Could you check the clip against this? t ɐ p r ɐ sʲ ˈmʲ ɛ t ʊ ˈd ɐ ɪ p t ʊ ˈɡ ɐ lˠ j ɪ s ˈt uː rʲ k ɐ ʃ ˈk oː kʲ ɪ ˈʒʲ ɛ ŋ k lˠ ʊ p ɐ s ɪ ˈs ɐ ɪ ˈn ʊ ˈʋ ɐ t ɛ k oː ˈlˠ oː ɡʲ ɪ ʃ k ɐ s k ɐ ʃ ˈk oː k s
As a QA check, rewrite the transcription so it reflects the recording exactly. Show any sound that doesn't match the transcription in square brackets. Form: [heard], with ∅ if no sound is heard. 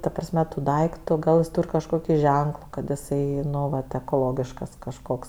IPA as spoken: t ɐ p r ɐ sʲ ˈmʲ ɛ t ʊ ˈd ɐ ɪ [k] t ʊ ˈɡ ɐ lˠ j ɪ s ˈt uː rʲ k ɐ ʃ ˈk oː kʲ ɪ ˈʒʲ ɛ ŋ k lˠ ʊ [k] ɐ [t] ɪ ˈs ɐ ɪ ˈn ʊ ˈʋ ɐ t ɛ k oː ˈlˠ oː ɡʲ ɪ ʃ k ɐ s k ɐ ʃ ˈk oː k s